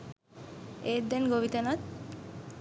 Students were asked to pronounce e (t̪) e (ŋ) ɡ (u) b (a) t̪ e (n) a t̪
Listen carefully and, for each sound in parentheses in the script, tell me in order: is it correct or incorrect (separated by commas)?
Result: incorrect, incorrect, incorrect, incorrect, correct